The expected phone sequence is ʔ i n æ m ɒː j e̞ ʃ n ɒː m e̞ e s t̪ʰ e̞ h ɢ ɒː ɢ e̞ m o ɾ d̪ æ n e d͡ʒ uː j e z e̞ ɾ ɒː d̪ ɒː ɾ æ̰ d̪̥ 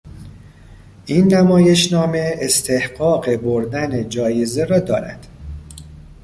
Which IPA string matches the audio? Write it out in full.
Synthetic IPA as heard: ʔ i nː æ m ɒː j e̞ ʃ n ɒː m e̞ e s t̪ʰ e̞ h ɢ ɒː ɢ e̞ b o ɾ d̪ æ n e d͡ʒ ɒː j e z e̞ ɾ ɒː d̪ ɒː ɾ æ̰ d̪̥